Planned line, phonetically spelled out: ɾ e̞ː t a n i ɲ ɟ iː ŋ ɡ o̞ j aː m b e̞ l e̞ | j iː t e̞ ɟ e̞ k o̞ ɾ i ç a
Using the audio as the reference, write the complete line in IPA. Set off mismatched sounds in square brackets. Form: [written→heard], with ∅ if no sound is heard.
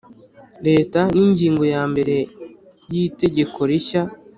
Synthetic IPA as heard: ɾ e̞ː t a n i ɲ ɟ iː ŋ ɡ o̞ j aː m b e̞ [l→ɾ] e̞ | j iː t e̞ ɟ e̞ k o̞ ɾ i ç a